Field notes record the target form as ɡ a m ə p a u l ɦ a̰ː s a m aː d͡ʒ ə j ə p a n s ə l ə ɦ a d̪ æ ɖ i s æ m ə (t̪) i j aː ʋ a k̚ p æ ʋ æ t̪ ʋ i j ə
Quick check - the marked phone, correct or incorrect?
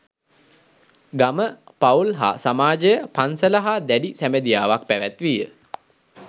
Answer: incorrect